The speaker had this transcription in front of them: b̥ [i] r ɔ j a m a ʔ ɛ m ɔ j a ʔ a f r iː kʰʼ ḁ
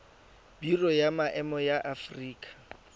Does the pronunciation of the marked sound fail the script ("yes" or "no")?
no